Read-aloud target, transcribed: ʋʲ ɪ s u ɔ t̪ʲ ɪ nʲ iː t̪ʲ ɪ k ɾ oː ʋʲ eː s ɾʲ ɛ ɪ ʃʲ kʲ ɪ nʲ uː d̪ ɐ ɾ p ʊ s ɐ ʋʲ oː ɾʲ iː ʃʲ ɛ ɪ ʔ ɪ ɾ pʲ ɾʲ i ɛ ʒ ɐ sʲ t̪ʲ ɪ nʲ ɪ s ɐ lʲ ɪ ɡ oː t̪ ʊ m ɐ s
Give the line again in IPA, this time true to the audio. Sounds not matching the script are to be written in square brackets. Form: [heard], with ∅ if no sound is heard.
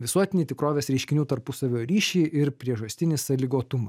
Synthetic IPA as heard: ʋʲ ɪ s u ɔ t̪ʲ ɪ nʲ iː t̪ʲ ɪ k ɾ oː ʋʲ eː s ɾʲ ɛ ɪ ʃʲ kʲ ɪ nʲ uː [t̪] ɐ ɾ p ʊ s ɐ ʋʲ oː ɾʲ iː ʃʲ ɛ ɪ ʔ ɪ ɾ pʲ ɾʲ i ɛ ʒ ɐ sʲ t̪ʲ ɪ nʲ ɪ s ɐ lʲ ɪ ɡ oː t̪ ʊ m ɐ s